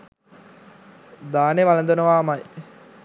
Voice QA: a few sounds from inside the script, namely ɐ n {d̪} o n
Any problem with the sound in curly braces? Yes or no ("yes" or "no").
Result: no